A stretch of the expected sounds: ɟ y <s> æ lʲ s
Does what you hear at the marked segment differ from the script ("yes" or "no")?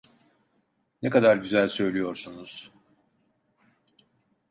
yes